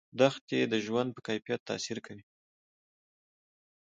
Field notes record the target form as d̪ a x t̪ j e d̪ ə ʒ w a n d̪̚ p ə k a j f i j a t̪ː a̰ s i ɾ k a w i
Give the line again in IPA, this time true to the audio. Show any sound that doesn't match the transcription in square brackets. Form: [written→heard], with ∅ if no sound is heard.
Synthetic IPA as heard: d̪ a x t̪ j e d̪ ə ʒ w a n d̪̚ p ə k a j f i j a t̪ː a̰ s i ɾ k a w i